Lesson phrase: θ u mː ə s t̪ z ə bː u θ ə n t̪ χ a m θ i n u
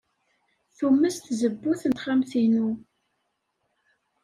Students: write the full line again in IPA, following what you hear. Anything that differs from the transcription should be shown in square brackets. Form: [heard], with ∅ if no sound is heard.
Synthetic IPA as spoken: θ u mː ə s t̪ z ə bː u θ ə n t̪ χ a m θ i n u